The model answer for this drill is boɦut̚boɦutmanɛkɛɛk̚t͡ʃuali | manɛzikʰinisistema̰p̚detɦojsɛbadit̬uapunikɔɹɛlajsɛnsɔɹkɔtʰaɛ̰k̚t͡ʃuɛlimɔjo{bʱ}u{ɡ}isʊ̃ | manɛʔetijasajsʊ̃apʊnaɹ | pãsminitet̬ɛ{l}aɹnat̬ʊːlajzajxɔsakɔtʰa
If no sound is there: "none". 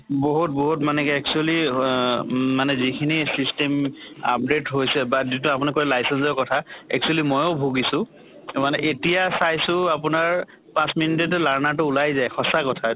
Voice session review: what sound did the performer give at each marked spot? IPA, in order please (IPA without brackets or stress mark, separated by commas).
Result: bʱ, ɡ, l